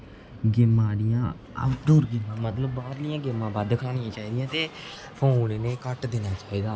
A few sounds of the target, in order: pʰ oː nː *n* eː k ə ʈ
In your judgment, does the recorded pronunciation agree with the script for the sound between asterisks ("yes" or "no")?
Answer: yes